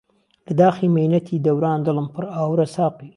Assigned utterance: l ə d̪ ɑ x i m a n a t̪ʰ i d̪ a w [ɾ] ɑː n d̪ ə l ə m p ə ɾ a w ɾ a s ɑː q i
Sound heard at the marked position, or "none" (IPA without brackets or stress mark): ɾ